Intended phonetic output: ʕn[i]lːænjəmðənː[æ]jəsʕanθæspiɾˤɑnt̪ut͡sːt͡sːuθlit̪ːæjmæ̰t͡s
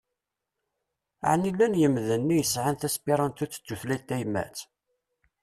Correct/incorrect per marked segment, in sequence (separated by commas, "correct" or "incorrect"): correct, incorrect